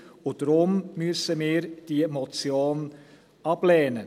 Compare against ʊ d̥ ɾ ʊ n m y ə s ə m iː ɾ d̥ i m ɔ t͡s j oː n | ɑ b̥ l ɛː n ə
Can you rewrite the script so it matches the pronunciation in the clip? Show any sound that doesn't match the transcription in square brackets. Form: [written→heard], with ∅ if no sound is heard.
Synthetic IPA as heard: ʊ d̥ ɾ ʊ [n→m] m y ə s ə m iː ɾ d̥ i m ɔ t͡s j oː n | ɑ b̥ l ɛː n ə

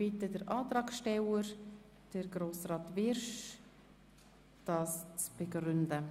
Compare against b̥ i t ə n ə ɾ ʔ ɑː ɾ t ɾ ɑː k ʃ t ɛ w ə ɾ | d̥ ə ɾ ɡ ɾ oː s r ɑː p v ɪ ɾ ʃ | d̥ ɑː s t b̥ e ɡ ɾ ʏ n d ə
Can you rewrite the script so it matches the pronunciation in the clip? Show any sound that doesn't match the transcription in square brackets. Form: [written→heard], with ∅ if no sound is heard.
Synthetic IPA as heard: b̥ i t ə [n→d] ə ɾ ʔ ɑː [ɾ→∅] t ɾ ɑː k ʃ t ɛ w ə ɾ | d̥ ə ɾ ɡ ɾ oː s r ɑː [p→t] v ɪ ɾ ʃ | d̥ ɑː s [t→t͡s] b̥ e ɡ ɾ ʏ n d ə

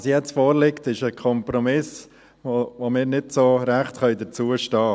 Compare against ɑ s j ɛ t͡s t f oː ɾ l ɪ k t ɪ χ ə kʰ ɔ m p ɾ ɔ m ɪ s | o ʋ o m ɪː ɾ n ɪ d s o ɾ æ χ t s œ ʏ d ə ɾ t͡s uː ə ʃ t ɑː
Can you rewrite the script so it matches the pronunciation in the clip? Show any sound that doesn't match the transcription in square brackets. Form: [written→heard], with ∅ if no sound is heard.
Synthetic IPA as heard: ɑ s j ɛ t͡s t f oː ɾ l ɪ k t ɪ [χ→ʃ] ə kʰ ɔ m p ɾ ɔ m ɪ s | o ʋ o m ɪː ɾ n ɪ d s o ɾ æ χ t [s→χ] œ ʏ d ə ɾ t͡s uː ə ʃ t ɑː

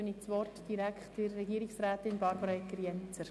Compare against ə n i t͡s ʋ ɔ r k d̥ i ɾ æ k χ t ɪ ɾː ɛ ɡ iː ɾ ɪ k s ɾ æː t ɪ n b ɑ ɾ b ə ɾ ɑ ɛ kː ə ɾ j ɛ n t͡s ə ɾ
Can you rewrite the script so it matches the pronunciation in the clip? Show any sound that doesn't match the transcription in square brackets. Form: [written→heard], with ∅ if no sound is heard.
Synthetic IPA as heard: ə n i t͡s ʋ ɔ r [k→t] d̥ i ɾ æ k χ t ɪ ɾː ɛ ɡ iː ɾ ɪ k s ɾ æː t ɪ n b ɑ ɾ b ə ɾ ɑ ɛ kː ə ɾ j ɛ n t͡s ə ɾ

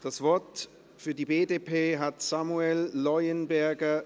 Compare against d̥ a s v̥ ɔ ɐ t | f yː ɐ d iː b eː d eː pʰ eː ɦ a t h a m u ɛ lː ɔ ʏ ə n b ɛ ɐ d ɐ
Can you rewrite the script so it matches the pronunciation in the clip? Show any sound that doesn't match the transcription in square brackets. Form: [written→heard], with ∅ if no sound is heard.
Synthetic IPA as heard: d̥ a s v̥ ɔ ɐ t | f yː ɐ d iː b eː d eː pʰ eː ɦ a t [h→s] a m u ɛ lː ɔ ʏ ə n b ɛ ɐ [d→ɡ] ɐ

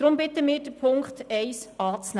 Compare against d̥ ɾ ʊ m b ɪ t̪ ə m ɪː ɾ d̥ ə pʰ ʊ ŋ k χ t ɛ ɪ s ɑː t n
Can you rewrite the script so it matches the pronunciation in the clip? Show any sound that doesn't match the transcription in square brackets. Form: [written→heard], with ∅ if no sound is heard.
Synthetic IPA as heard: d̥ ɾ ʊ m b ɪ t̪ ə m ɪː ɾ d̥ ə pʰ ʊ ŋ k χ t ɛ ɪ s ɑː [t→t͡s] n

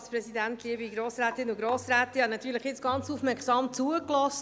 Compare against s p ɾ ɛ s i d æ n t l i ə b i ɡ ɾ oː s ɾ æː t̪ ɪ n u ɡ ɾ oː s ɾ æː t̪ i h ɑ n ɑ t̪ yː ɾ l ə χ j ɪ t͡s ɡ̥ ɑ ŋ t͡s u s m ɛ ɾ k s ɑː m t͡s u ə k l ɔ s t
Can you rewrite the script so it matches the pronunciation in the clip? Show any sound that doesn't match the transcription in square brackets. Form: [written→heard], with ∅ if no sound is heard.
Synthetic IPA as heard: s p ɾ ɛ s i d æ n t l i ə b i ɡ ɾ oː s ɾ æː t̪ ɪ n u ɡ ɾ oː s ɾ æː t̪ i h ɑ n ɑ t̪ yː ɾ l ə χ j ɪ t͡s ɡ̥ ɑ [ŋ→n] t͡s u [s→f] m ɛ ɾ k s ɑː m t͡s u ə k l ɔ s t

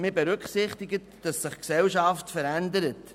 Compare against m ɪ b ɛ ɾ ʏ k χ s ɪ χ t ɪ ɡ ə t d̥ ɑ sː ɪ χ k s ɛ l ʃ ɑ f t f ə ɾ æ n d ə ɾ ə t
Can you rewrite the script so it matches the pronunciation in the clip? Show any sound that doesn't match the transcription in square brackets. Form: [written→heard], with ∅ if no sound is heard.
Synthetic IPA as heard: m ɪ b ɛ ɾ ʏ k χ s ɪ χ t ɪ ɡ ə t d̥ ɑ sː ɪ χ k s ɛ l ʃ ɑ f t f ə ɾ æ n d ə ɾ ə t

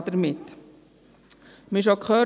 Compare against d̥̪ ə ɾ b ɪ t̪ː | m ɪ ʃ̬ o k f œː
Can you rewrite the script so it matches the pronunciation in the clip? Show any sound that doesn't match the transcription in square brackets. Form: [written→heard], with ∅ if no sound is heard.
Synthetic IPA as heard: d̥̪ ə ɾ [b→m] ɪ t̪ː | m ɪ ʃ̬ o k [f→χ] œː

